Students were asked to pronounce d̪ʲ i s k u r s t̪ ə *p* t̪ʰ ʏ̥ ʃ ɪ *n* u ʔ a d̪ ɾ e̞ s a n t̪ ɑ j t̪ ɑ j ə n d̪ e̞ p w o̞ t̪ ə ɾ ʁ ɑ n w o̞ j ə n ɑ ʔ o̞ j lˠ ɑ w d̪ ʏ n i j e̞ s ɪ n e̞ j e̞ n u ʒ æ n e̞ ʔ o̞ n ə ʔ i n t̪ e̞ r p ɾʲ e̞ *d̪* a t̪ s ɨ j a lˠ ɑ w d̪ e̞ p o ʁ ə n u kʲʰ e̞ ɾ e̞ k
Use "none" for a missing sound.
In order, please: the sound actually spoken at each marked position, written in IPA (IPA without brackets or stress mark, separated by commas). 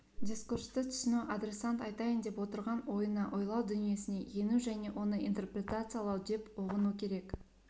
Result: none, n, t̪